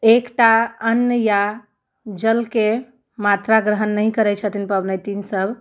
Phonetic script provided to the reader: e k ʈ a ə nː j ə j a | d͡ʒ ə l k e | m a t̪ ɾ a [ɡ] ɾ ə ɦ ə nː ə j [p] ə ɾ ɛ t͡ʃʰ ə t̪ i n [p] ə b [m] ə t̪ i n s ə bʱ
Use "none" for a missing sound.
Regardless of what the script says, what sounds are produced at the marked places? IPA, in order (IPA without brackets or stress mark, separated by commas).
ɡ, k, p, n